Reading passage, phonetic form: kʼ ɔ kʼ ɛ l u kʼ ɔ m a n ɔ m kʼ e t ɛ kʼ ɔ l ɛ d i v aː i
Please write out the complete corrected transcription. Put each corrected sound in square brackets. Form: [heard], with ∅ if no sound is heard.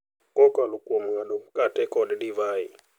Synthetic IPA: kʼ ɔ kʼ [a] l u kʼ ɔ m a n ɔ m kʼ [a] t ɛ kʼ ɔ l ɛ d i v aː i